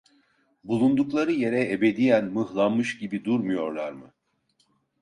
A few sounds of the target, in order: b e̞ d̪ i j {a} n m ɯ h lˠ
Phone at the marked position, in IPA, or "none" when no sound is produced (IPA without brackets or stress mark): æ